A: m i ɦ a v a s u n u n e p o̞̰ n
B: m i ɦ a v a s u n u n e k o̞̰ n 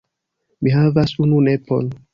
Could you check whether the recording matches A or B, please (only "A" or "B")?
A